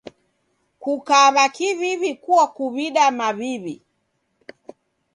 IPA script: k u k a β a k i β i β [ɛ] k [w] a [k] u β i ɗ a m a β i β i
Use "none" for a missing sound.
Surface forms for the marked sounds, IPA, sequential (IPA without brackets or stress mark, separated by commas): i, u, k